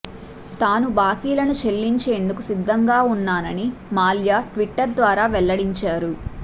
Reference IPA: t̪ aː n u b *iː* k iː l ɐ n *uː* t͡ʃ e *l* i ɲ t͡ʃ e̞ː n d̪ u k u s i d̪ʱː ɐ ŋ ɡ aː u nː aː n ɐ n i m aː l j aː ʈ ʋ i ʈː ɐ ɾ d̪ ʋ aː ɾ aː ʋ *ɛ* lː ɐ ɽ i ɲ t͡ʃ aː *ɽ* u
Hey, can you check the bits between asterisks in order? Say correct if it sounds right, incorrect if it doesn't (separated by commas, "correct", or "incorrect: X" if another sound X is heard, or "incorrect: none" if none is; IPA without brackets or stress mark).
incorrect: aː, incorrect: u, incorrect: lː, correct, incorrect: ɾ